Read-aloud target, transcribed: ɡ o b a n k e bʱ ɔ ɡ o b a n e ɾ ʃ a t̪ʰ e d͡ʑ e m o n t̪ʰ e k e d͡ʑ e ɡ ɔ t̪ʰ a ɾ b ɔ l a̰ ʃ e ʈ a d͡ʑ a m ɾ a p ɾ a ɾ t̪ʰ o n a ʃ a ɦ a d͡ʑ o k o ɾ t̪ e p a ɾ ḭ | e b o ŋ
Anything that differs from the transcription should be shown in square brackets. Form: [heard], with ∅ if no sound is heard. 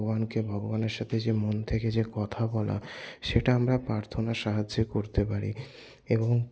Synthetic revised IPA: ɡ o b a n k e bʱ ɔ ɡ o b a n e ɾ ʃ a t̪ʰ e d͡ʑ e m o n t̪ʰ e k e d͡ʑ e [k] ɔ t̪ʰ a [∅] b ɔ l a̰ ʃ e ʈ a [∅] a m ɾ a p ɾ a ɾ t̪ʰ o n a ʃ a ɦ a d͡ʑ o k o ɾ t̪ e p a ɾ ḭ | e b o ŋ

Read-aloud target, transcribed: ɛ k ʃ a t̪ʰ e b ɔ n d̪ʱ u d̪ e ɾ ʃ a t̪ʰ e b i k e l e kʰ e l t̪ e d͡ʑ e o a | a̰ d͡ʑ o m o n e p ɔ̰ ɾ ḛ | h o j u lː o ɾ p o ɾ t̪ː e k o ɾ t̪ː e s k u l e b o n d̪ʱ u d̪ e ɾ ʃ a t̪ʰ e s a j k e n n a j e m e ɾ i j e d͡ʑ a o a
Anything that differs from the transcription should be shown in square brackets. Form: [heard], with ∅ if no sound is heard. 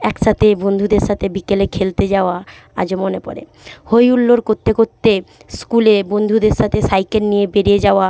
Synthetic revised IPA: ɛ k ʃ a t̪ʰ e b [o] n d̪ʱ u d̪ e ɾ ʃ a t̪ʰ e b i k e l e kʰ e l t̪ e d͡ʑ [a] o a | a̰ d͡ʑ o m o n e p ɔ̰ ɾ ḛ | h o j u lː o ɾ [k] o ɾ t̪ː e k o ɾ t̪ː e s k u l e b o n d̪ʱ u d̪ e ɾ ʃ a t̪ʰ e s a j k e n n [i] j e [b] e ɾ i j e d͡ʑ a o a

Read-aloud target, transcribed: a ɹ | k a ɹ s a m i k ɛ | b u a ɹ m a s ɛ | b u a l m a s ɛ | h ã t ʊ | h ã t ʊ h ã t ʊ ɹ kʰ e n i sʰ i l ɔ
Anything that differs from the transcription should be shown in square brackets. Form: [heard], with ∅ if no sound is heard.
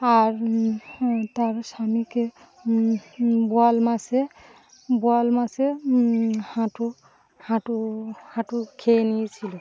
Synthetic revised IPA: a ɹ | [t] a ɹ s a m i k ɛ | b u a [l] m a s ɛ | b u a l m a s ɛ | h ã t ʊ | h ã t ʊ h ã t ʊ [∅] kʰ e n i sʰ i l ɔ

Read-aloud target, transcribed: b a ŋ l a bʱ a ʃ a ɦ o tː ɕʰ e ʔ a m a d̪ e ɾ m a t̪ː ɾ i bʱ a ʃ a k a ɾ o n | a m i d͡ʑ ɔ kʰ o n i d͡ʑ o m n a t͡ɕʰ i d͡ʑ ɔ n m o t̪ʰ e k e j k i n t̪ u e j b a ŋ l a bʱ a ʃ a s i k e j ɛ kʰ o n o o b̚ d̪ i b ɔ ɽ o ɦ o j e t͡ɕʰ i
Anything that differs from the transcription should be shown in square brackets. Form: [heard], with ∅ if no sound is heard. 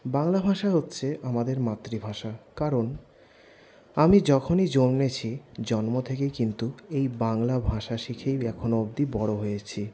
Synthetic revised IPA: b a ŋ l a bʱ a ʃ a ɦ o tː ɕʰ e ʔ a m a d̪ e ɾ m a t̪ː ɾ i bʱ a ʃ a k a ɾ o n | a m i d͡ʑ ɔ kʰ o n i d͡ʑ o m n [e] t͡ɕʰ i d͡ʑ ɔ n m o t̪ʰ e k e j k i n t̪ u e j b a ŋ l a bʱ a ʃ a [ʃ] i [kʰ] e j ɛ kʰ o n o o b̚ d̪ i b ɔ ɽ o ɦ o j e t͡ɕʰ i

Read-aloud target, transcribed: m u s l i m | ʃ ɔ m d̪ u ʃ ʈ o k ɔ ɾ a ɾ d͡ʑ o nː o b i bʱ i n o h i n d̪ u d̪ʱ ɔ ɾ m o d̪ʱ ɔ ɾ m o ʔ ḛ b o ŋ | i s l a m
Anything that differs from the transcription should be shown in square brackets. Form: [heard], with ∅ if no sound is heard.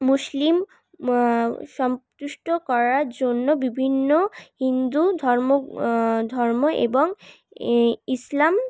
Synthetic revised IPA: m u s l i m | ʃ ɔ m [t̪] u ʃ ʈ o k ɔ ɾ a ɾ d͡ʑ o nː o b i bʱ i [nː] o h i n d̪ u d̪ʱ ɔ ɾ m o d̪ʱ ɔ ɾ m o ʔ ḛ b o ŋ | i s l a m

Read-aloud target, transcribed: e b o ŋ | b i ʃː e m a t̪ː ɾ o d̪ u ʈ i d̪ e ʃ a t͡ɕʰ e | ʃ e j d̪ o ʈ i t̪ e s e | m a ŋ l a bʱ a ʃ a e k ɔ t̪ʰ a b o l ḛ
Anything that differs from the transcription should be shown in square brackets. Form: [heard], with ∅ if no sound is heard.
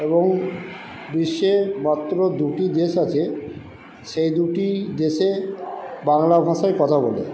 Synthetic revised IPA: e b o ŋ | b i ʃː e m a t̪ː ɾ o d̪ u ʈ i d̪ e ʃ a t͡ɕʰ e | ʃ e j d̪ [u] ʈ i [d̪] e [ʃ] e | [b] a ŋ l a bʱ a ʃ a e k ɔ t̪ʰ a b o l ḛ

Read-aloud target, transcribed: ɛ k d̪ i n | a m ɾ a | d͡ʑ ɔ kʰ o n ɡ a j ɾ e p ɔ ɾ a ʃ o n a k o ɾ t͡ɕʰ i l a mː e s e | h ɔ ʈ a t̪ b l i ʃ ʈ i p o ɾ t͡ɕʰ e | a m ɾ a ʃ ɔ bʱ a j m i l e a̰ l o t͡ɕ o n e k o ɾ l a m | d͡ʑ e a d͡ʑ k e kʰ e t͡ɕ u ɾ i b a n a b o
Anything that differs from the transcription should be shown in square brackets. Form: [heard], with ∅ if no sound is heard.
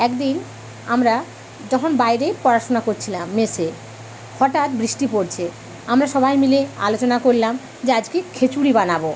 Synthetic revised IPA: ɛ k d̪ i n | a m ɾ a | d͡ʑ ɔ kʰ o n [b] a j ɾ e p ɔ ɾ a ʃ o n a k o ɾ t͡ɕʰ i l a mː e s e | h ɔ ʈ a t̪ b [ɾ] i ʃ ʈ i p o ɾ t͡ɕʰ e | a m ɾ a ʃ ɔ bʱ a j m i l e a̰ l o t͡ɕ o n [a] k o ɾ l a m | d͡ʑ e a d͡ʑ k e kʰ e t͡ɕ u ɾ i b a n a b o

